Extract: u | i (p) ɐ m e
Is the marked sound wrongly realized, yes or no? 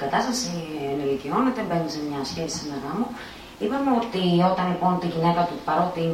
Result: no